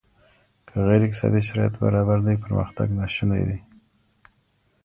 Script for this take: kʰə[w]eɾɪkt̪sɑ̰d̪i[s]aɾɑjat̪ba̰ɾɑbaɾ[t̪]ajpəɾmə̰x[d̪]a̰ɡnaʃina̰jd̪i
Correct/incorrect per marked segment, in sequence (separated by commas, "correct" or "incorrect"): incorrect, incorrect, incorrect, incorrect